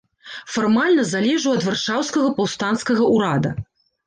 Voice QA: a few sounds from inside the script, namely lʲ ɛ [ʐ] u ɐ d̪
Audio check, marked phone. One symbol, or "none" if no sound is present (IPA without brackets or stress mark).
ʐ